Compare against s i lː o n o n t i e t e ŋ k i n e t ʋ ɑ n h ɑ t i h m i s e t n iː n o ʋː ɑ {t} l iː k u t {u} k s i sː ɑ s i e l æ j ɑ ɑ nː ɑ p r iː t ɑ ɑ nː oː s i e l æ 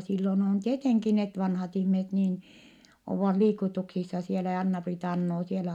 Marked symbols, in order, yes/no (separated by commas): yes, yes